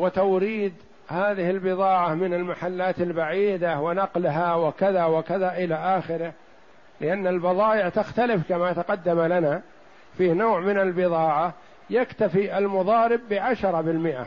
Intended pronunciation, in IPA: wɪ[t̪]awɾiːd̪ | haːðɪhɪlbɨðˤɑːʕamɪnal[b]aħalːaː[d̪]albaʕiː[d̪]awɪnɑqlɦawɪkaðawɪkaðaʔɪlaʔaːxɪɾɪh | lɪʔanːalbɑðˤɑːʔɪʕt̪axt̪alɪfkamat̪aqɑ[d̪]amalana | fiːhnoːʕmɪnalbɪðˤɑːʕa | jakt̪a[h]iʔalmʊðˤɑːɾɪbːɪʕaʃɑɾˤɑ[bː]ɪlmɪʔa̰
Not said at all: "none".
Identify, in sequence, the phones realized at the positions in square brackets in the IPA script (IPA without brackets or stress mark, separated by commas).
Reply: t̪, m, t̪, d̪, d̪ː, f, b